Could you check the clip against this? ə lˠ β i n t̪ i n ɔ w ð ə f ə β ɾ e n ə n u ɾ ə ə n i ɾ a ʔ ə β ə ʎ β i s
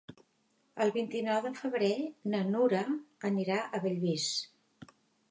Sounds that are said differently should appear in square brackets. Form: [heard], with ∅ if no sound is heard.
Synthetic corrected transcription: ə lˠ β i n t̪ i n ɔ w ð ə f ə β ɾ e n ə n u ɾ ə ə n i ɾ a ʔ ə β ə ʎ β i s